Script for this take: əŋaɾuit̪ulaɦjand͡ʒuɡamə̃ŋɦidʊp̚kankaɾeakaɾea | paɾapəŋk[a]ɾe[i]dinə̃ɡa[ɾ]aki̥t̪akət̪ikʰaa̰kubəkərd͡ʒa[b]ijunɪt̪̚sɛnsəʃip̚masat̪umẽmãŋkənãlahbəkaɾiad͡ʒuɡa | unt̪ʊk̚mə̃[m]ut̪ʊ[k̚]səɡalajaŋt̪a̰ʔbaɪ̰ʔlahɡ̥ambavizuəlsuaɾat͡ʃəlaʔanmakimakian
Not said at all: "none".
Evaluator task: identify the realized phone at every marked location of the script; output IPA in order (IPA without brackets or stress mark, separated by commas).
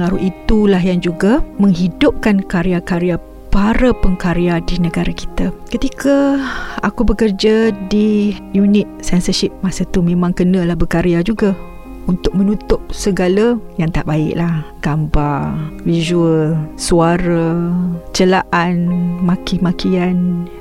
a, a, ɾ, d, n, p̚